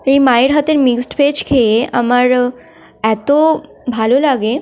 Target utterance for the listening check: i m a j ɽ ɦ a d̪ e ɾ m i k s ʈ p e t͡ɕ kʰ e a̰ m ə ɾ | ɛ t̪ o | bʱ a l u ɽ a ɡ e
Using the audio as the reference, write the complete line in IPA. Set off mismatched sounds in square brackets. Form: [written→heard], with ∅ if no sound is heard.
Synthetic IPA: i m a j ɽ ɦ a [d̪→t̪] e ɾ m i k s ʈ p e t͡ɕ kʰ e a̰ m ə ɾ | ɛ t̪ o | bʱ a l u [ɽ→l] a ɡ e